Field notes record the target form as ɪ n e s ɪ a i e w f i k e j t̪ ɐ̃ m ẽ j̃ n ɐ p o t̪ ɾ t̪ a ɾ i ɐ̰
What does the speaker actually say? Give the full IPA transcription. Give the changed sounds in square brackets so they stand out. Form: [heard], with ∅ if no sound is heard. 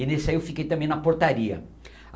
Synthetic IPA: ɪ n e s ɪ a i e w f i k e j t̪ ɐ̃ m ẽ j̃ n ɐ p o [∅] ɾ t̪ a ɾ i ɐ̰